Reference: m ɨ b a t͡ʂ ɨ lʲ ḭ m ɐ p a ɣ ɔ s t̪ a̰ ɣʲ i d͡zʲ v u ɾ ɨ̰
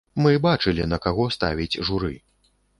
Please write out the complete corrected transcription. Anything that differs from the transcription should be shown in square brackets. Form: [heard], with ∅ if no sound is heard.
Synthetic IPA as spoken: m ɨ b a t͡ʂ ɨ lʲ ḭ [n] ɐ [k] a ɣ ɔ s t̪ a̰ [vʲ] i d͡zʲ [ʐ] u ɾ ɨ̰